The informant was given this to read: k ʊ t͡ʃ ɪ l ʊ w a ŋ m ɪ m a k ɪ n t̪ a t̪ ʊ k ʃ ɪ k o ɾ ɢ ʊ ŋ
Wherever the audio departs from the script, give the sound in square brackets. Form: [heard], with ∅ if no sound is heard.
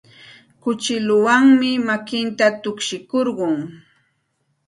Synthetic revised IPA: k ʊ t͡ʃ ɪ l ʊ w a ŋ m ɪ m a k ɪ n t̪ a t̪ ʊ k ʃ ɪ k o ɾ ɢ ʊ ŋ